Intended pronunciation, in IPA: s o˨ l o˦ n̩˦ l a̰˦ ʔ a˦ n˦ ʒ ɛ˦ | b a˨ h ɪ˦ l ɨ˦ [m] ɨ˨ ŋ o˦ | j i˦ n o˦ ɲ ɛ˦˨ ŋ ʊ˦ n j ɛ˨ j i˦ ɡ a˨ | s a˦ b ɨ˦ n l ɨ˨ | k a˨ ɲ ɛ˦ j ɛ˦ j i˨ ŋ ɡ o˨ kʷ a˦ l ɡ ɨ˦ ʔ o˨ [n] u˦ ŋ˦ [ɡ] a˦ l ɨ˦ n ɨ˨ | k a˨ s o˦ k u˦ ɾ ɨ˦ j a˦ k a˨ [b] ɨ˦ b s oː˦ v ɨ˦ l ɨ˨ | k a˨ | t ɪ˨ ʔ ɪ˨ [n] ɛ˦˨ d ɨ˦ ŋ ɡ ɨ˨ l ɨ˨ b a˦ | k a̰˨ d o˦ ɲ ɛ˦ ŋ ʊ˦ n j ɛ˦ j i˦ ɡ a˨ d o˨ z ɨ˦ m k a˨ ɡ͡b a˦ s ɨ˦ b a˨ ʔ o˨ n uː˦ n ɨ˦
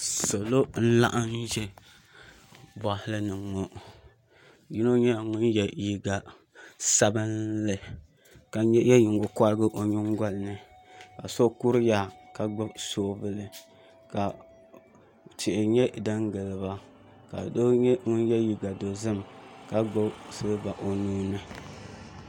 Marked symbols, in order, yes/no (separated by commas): no, no, yes, no, no